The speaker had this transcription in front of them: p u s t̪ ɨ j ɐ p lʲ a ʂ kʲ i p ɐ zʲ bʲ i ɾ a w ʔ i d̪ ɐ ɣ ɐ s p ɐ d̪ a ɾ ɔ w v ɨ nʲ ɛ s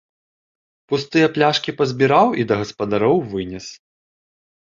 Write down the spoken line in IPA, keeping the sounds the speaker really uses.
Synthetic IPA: p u s t̪ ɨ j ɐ p lʲ a ʂ kʲ i p ɐ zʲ bʲ i ɾ a w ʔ i d̪ ɐ ɣ ɐ s p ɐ d̪ a ɾ ɔ w v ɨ nʲ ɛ s